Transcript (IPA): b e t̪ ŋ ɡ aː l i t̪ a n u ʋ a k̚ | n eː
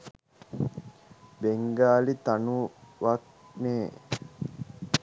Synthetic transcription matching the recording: b e ŋ ɡ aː l i t̪ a n u ʋ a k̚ | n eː